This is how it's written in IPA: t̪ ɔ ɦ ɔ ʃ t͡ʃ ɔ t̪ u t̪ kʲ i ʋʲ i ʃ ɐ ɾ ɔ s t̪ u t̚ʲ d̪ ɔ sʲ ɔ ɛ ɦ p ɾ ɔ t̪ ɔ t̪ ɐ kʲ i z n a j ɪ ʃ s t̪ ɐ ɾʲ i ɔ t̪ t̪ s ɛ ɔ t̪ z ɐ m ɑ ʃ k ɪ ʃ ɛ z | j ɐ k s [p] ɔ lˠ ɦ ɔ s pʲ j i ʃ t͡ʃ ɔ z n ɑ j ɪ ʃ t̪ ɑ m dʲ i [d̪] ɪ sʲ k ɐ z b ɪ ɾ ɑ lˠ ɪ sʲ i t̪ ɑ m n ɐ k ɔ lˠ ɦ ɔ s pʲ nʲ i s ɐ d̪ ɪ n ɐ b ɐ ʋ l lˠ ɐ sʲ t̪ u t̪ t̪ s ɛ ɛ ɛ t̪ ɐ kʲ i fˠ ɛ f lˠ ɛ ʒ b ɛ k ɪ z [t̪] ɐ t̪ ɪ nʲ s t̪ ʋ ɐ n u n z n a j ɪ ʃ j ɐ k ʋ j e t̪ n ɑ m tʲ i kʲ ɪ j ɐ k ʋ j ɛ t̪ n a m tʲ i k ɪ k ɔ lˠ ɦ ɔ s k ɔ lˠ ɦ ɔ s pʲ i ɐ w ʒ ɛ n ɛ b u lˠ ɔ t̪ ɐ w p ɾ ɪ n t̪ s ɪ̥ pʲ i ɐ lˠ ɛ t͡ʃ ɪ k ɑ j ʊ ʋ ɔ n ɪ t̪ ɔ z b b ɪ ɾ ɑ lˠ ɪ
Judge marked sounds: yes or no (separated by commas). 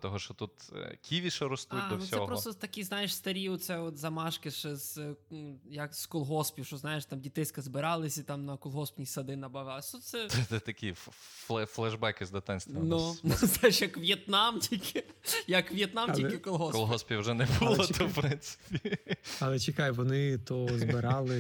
no, no, no